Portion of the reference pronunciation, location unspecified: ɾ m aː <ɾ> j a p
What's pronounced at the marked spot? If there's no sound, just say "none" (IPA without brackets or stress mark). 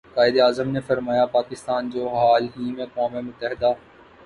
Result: none